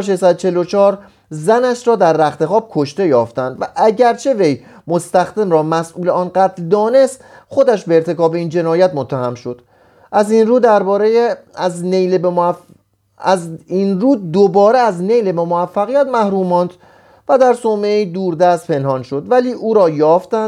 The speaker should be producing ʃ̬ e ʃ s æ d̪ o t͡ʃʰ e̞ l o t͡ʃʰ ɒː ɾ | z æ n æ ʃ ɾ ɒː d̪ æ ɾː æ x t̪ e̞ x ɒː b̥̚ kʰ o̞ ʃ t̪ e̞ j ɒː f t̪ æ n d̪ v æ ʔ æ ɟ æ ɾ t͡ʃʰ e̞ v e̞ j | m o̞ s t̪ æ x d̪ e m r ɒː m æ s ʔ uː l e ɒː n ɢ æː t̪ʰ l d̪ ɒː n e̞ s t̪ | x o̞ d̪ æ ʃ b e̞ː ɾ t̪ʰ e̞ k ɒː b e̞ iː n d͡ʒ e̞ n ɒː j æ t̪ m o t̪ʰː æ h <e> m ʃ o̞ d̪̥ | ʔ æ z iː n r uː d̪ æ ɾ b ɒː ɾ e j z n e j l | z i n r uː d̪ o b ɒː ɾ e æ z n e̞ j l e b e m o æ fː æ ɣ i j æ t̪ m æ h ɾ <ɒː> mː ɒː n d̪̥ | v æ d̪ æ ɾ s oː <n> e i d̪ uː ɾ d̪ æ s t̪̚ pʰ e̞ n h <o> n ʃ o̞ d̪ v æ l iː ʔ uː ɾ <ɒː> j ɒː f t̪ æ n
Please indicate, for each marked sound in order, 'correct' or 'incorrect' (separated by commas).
incorrect, incorrect, incorrect, incorrect, correct